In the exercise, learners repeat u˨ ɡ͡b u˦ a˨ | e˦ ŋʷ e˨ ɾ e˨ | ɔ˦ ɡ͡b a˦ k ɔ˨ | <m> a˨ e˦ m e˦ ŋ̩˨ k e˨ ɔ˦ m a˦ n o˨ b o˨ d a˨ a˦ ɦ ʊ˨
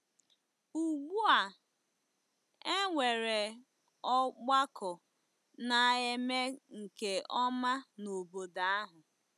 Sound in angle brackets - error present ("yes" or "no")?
yes